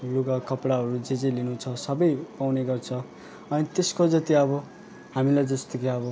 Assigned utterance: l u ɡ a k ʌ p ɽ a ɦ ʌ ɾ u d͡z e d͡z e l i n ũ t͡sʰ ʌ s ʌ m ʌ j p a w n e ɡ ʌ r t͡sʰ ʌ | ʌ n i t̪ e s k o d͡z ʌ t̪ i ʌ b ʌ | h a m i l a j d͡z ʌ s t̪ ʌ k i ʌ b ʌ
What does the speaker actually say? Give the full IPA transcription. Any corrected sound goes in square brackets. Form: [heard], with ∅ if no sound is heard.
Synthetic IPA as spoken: l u ɡ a k ʌ p ɽ a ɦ ʌ ɾ u d͡z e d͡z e l i n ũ t͡sʰ ʌ s ʌ [b] ʌ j p a w n e ɡ ʌ r t͡sʰ ʌ | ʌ n i t̪ e s k o d͡z ʌ t̪ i ʌ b ʌ | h a m i l a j d͡z ʌ s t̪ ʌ k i ʌ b ʌ